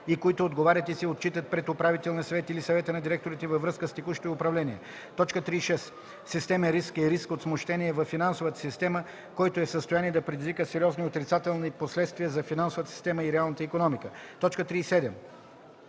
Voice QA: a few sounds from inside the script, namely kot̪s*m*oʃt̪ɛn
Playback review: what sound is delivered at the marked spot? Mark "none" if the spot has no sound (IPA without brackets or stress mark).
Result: m